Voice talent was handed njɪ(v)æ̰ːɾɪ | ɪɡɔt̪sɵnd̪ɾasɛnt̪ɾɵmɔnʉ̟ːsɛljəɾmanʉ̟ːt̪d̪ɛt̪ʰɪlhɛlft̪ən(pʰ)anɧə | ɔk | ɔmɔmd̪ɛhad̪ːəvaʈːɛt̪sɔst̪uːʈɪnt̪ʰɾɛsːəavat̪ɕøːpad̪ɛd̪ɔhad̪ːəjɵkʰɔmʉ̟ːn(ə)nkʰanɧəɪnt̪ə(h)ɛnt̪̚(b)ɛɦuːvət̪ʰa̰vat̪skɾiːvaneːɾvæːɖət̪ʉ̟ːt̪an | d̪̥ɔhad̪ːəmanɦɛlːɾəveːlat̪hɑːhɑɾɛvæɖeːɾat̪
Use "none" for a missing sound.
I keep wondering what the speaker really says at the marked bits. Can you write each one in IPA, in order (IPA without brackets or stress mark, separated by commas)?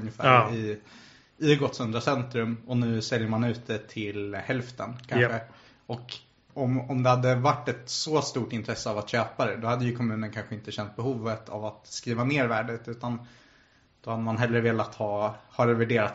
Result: f, kʰ, ə, ɕ, b